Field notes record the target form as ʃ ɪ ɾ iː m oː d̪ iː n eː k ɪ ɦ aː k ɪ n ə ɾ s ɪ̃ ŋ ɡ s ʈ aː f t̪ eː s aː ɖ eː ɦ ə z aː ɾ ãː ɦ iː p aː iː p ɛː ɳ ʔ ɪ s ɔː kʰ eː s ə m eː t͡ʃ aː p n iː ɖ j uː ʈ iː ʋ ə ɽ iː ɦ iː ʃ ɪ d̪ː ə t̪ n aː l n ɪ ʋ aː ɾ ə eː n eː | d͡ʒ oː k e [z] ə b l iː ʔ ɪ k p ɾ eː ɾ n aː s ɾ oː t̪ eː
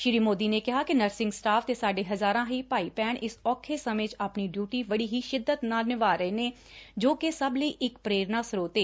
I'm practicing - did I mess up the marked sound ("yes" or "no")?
yes